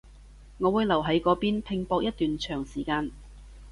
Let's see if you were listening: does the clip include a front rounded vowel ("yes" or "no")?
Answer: yes